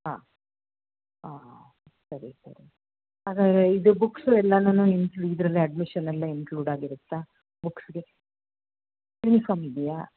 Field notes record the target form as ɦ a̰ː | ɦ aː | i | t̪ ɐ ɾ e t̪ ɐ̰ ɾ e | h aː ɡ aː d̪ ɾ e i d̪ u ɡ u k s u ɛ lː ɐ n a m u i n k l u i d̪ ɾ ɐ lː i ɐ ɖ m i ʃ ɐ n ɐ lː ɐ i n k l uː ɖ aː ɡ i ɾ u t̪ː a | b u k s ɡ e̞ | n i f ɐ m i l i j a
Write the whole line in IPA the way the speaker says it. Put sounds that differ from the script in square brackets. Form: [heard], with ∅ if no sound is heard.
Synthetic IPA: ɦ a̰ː | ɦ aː | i | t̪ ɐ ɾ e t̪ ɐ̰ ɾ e | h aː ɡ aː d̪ ɾ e i d̪ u [b] u k s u ɛ lː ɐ n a [n] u i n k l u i d̪ ɾ ɐ lː i ɐ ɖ m i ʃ ɐ n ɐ lː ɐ i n k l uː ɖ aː ɡ i ɾ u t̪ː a | b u k s ɡ e̞ | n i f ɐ m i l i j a